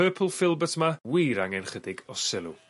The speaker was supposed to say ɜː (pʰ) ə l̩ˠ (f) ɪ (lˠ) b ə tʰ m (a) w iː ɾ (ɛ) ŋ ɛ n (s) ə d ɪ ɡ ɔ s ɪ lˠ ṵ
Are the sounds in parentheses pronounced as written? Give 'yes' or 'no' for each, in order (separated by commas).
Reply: yes, yes, yes, yes, no, no